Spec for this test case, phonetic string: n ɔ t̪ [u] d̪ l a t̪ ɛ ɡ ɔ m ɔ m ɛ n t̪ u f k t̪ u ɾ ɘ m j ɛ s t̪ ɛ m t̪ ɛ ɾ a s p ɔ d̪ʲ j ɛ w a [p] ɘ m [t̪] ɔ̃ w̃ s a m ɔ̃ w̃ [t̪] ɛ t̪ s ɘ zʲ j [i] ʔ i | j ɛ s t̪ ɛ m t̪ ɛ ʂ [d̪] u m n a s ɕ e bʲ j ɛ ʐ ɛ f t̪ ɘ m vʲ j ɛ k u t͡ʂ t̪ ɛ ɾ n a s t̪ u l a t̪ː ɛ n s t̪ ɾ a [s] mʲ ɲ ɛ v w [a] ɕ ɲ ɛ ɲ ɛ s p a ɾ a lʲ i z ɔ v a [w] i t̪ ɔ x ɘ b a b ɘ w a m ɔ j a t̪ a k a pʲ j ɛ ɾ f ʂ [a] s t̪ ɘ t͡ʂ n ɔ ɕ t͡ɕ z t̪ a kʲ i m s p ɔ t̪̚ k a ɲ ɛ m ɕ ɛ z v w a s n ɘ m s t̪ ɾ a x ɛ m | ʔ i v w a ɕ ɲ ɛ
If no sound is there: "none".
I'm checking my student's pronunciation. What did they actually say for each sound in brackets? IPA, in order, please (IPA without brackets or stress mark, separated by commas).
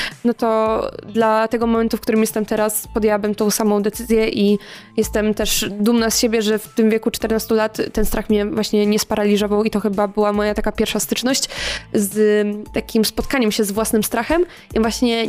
ɔ, b, t̪, d̪, ɛ, d̪, x, a, w, a